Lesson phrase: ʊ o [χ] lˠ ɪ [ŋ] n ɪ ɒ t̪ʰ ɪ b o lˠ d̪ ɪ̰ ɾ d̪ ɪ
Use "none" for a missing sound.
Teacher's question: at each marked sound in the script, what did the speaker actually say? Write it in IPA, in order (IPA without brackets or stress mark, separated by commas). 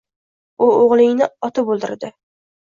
ʁ, ŋ